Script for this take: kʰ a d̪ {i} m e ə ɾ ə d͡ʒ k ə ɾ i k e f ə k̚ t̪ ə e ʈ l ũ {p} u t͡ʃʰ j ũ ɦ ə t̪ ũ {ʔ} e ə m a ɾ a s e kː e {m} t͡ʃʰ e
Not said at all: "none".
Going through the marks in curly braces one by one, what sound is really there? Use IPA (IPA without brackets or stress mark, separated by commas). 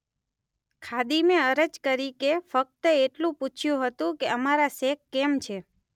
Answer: i, p, k, m